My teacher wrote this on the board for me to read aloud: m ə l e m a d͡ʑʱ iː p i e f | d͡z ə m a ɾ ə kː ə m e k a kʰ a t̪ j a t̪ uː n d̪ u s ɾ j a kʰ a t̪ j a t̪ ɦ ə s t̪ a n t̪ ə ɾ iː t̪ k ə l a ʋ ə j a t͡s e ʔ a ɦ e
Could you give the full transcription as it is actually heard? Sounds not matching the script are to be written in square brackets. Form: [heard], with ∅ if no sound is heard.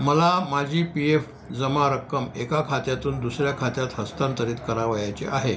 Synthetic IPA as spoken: m ə l [a] m a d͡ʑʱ iː p i e f | d͡z ə m a ɾ ə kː ə m e k a kʰ a t̪ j a t̪ uː n d̪ u s ɾ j a kʰ a t̪ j a t̪ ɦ ə s t̪ a n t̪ ə ɾ iː t̪ k ə [ɾ] a ʋ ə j a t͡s e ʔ a ɦ e